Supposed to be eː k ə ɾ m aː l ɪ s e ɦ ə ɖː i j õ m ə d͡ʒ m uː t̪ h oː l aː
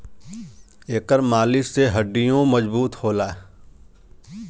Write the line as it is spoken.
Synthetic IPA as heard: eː k ə ɾ m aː l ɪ s e ɦ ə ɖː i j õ m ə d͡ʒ b uː t̪ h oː l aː